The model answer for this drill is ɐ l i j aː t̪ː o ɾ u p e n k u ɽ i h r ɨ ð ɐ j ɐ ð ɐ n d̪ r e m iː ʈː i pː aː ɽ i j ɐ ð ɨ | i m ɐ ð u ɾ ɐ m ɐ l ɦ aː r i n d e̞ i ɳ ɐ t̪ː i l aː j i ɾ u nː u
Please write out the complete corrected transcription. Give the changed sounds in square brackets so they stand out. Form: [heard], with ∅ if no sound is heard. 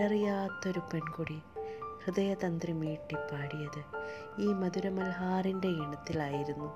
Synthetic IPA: ɐ [r] i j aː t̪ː o ɾ u p e n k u ɽ i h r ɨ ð ɐ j ɐ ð ɐ n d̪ r [i] m iː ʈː i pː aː ɽ i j ɐ ð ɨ | [iː] m ɐ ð u ɾ ɐ m ɐ l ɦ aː r i n d e̞ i ɳ ɐ t̪ː i l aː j i ɾ u nː u